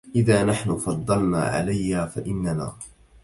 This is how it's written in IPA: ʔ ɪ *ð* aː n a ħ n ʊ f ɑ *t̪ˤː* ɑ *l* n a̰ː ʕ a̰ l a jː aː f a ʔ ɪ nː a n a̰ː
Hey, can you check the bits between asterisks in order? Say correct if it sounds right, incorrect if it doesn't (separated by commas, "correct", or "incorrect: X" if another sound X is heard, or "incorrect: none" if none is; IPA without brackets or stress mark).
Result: correct, incorrect: d̪ˤː, correct